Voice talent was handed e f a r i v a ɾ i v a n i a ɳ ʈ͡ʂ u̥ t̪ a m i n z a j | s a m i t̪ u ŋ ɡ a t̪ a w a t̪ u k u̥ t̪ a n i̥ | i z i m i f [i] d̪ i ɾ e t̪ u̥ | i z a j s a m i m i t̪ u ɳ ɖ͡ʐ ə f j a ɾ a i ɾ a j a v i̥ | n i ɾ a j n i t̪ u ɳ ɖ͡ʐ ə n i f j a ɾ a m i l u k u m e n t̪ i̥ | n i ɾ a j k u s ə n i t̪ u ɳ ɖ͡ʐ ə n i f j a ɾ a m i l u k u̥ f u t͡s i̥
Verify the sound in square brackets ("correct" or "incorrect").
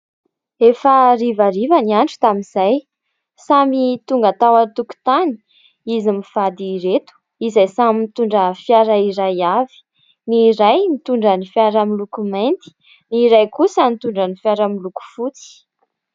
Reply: incorrect